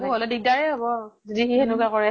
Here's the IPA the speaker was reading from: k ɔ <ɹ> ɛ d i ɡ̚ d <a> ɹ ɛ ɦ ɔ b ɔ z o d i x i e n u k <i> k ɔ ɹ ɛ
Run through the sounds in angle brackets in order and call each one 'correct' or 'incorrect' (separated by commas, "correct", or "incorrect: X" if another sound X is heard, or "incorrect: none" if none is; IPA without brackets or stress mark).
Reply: incorrect: l, correct, incorrect: a